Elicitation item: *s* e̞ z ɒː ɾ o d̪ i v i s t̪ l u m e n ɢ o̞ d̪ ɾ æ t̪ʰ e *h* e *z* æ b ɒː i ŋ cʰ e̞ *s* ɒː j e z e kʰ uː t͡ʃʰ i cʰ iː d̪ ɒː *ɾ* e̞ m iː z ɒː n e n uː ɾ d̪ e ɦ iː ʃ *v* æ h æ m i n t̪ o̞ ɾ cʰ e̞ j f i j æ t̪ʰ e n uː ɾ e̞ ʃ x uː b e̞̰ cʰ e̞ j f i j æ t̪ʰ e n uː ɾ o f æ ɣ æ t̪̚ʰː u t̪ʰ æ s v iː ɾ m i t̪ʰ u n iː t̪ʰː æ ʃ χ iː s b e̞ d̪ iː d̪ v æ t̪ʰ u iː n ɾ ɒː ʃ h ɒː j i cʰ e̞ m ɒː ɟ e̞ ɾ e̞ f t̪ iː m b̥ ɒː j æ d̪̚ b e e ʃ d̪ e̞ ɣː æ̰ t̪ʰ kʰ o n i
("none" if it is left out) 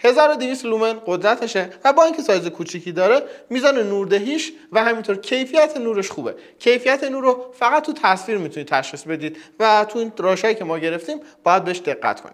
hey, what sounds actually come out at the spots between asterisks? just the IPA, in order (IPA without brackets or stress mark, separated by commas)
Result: h, ʃ, v, s, ɾ, v